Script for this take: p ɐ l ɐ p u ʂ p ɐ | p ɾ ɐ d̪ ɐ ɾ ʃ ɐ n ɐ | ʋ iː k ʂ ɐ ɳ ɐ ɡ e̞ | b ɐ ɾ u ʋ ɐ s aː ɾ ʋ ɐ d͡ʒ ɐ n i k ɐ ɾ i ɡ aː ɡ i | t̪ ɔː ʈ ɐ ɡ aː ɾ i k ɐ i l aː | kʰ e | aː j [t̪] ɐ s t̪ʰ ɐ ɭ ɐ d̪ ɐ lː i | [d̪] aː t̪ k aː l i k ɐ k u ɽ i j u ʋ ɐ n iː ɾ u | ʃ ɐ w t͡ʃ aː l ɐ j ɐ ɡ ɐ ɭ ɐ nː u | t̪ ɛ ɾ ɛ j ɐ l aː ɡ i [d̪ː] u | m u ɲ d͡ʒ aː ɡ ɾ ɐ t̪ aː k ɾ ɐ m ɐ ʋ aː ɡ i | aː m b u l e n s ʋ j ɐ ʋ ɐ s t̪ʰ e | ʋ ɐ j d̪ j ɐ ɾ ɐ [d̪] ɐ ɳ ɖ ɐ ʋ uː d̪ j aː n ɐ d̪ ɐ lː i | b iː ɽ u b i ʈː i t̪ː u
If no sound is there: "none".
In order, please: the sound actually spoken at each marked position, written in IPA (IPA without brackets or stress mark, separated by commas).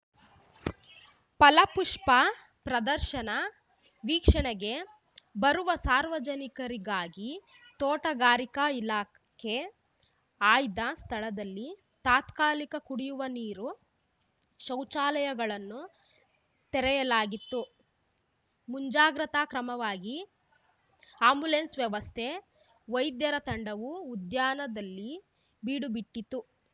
d̪, t̪, t̪ː, t̪